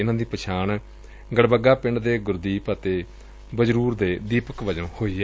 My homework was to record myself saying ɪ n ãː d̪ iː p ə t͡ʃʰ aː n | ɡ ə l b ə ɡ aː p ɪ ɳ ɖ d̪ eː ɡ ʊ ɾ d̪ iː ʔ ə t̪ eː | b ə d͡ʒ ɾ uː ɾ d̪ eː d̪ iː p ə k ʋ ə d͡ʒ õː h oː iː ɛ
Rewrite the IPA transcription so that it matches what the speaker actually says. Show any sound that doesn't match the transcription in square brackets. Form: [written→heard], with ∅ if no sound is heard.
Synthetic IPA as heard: ɪ n ãː d̪ iː p ə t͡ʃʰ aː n | ɡ ə [l→ɽ] b ə ɡ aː p ɪ ɳ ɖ d̪ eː ɡ ʊ ɾ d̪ iː [ʔ→p] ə t̪ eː | b ə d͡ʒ ɾ uː ɾ d̪ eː d̪ iː p ə k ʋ ə d͡ʒ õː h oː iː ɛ